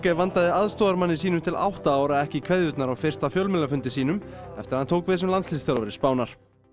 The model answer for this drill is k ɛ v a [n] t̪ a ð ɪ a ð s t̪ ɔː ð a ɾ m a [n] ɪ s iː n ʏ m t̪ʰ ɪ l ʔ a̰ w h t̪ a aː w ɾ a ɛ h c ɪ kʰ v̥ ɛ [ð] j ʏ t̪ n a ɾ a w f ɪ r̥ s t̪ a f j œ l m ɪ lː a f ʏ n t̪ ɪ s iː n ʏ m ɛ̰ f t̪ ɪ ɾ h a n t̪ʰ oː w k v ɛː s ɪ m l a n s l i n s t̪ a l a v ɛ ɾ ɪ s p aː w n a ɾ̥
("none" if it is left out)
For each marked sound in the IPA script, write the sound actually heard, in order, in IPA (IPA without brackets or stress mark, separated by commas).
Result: n, nː, ð